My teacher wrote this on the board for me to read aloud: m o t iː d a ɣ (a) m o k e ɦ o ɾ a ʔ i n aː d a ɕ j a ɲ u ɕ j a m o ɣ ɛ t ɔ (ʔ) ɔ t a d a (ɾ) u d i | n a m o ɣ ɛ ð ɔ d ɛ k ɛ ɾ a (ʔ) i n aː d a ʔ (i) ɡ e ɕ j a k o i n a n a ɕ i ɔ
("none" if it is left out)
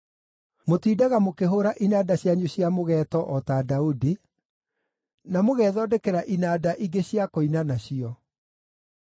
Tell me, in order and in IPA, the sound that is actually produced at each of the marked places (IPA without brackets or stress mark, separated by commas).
a, ʔ, none, ʔ, i